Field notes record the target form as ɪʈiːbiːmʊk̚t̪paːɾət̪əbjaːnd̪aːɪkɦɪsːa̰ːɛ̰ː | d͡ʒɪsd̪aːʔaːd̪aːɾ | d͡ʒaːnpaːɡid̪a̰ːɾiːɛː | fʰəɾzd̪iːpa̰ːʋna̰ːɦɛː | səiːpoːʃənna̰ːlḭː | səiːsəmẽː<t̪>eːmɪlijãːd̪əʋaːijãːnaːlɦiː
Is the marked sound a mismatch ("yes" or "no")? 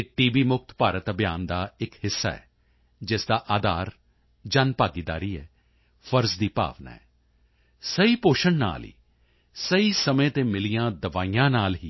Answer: no